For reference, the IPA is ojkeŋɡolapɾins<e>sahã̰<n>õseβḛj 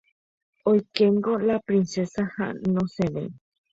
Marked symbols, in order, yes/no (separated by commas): yes, yes